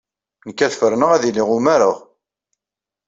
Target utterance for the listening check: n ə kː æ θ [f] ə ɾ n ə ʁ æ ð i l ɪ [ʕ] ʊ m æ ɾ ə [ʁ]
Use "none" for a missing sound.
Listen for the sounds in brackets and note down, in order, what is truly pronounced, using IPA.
f, ʁ, ʁ

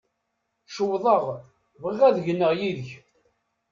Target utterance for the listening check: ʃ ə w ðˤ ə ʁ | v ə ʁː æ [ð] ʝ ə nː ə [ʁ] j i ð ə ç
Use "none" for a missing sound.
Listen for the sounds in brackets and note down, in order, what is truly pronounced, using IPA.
ð, ʁ

